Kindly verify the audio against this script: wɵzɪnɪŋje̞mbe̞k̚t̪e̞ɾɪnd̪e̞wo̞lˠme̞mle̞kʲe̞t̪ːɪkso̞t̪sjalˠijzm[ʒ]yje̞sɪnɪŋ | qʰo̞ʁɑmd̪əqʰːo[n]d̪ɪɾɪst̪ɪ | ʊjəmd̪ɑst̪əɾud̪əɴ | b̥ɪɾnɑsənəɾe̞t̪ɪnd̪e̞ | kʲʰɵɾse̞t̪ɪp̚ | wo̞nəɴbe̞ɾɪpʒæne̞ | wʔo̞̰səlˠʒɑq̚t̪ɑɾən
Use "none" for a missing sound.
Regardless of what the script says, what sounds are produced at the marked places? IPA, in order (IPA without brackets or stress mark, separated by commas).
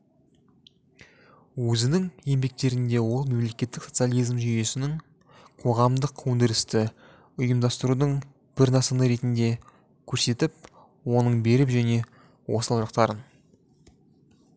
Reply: ʒ, n